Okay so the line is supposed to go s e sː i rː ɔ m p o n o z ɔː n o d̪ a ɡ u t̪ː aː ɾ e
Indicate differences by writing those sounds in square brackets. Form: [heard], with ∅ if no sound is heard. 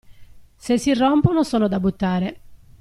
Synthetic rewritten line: s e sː i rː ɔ m p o n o [s] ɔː n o d̪ a [b] u t̪ː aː ɾ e